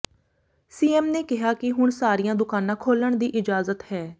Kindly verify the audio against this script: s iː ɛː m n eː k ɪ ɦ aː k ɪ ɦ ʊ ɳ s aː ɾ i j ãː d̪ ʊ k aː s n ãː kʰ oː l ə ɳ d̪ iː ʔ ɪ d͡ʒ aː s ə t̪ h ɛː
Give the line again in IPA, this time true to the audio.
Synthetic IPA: s iː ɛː m n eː k ɪ ɦ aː k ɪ ɦ ʊ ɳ s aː ɾ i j ãː d̪ ʊ k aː n ãː kʰ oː l ə ɳ d̪ iː ʔ ɪ d͡ʒ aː z ə t̪ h ɛː